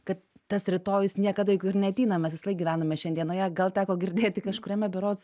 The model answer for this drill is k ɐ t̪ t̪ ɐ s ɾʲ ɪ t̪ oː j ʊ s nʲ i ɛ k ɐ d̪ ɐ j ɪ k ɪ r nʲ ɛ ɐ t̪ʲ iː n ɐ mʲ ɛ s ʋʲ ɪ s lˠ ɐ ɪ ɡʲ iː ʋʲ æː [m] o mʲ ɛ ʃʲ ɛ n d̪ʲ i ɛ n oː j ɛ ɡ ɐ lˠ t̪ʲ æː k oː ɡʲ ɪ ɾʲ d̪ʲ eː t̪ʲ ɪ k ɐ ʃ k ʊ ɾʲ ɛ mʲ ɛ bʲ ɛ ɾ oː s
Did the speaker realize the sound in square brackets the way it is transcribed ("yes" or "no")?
no